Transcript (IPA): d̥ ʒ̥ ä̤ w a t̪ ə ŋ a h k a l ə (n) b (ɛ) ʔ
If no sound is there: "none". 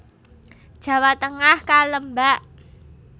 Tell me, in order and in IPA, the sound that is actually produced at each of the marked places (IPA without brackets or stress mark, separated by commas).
m, a